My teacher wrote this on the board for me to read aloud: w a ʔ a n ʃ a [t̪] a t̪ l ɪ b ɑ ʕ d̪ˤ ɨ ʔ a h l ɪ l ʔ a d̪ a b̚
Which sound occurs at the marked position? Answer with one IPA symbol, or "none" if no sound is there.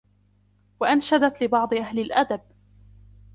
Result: d̪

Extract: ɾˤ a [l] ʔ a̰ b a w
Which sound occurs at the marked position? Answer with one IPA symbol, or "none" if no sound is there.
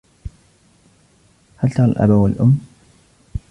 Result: l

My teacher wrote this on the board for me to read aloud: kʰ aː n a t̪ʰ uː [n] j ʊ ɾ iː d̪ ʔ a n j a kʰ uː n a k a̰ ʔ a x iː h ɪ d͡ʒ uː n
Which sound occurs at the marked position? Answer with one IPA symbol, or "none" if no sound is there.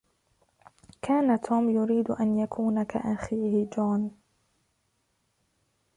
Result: m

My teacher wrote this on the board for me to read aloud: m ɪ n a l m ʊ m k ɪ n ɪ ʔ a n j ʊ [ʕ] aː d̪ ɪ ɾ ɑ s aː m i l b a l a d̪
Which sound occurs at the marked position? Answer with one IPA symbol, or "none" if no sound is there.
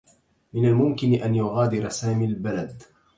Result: ɣ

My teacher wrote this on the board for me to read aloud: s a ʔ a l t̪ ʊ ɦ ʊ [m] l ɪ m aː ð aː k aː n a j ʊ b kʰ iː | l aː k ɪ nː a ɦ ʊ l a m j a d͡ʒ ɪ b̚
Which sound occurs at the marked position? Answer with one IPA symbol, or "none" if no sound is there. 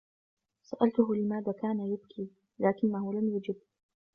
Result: none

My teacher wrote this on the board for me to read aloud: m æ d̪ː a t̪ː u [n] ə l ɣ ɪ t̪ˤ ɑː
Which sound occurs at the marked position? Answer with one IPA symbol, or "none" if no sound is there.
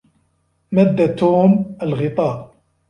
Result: m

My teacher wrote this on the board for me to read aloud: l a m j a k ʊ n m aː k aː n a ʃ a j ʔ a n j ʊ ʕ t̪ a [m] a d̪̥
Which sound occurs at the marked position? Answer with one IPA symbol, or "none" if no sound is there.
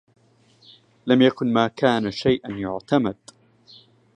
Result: m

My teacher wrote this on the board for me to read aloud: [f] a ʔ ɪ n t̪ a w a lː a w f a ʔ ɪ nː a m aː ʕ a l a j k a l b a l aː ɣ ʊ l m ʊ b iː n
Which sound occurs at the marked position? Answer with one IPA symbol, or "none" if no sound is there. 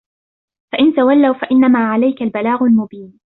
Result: f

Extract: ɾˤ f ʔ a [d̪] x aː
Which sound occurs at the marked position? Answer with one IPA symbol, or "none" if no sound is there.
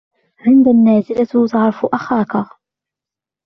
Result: none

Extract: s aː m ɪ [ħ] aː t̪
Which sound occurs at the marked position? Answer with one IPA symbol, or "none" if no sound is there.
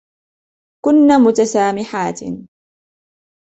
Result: ħ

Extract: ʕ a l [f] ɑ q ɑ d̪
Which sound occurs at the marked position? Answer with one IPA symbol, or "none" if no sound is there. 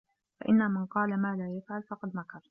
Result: f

